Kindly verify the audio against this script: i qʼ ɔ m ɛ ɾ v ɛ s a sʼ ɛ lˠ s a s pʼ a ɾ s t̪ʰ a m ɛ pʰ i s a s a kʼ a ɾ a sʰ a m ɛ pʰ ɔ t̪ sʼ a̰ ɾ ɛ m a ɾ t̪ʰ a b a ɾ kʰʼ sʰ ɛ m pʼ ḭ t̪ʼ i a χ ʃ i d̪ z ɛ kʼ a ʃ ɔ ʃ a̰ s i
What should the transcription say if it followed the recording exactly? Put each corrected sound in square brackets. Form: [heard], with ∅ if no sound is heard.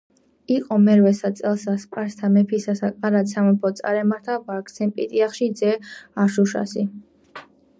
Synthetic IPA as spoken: i qʼ ɔ m ɛ ɾ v ɛ s a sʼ ɛ lˠ s a s pʼ a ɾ s t̪ʰ a m ɛ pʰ i s a s a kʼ a ɾ a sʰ a m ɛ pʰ ɔ t̪ sʼ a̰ ɾ ɛ m a ɾ t̪ʰ a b a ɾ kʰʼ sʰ ɛ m pʼ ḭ t̪ʼ i a χ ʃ i d̪ z ɛ [∅] a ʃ [u] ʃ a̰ s i